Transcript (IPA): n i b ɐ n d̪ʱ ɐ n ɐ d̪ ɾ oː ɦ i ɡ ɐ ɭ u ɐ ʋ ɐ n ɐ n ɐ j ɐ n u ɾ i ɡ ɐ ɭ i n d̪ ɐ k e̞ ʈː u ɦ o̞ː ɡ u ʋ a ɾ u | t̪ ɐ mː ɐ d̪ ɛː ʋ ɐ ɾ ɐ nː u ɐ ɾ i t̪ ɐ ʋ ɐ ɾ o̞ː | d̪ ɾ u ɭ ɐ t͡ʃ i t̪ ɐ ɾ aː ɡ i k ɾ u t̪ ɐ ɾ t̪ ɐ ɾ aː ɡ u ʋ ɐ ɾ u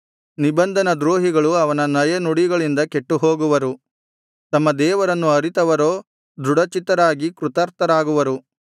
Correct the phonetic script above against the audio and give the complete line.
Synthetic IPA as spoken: n i b ɐ n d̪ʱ ɐ n ɐ d̪ ɾ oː ɦ i ɡ ɐ ɭ u ɐ ʋ ɐ n ɐ n ɐ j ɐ n u ɽ i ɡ ɐ ɭ i n d̪ ɐ k e̞ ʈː u ɦ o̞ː ɡ u ʋ ɐ ɾ u | t̪ ɐ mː ɐ d̪ ɛː ʋ ɐ ɾ ɐ nː u ɐ ɾ i t̪ ɐ ʋ ɐ ɾ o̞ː | d̪ ɾ u ɽ ɐ t͡ʃ i t̪ ɐ ɾ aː ɡ i k ɾ u t̪ ɐ ɾ t̪ ɐ ɾ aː ɡ u ʋ ɐ ɾ u